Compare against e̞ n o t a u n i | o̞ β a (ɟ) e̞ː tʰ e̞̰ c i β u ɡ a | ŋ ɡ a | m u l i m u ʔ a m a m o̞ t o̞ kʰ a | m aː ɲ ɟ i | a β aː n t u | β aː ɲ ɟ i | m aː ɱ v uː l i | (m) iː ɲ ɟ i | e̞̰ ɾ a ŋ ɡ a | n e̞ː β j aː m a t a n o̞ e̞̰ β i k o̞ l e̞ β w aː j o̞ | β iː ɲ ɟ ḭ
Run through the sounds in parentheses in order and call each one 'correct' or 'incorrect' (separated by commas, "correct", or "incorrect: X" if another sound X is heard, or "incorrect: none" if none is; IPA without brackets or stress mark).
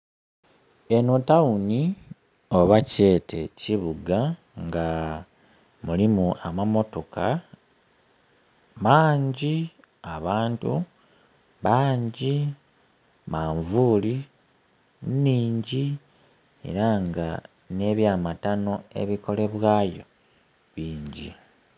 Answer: incorrect: c, incorrect: n